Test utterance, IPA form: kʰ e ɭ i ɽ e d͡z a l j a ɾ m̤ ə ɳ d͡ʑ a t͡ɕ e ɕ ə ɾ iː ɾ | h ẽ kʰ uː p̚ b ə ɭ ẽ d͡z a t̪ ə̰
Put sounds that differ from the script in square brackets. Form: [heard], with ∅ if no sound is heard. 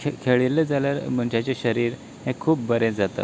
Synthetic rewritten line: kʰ e ɭ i [l] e d͡z a l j a ɾ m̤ ə ɳ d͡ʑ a t͡ɕ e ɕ ə ɾ iː ɾ | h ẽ kʰ uː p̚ b ə [ɾ] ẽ d͡z a t̪ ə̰